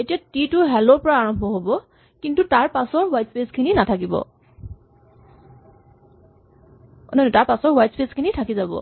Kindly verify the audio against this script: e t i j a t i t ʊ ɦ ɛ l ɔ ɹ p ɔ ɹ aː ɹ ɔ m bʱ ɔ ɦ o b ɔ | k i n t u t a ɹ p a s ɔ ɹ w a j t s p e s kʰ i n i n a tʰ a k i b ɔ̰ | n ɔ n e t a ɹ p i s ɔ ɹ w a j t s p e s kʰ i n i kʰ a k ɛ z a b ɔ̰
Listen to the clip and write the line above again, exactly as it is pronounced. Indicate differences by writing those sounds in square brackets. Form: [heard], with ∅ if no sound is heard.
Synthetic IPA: e t i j a t i t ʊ ɦ ɛ l ɔ ɹ p ɔ ɹ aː ɹ ɔ m bʱ ɔ ɦ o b ɔ | k i n t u t a ɹ p a s ɔ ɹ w a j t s p e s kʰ i n i n a tʰ a k i b ɔ̰ | n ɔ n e t a ɹ p [a] s ɔ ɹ w a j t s p e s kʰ i n i [tʰ] a k [i] z a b ɔ̰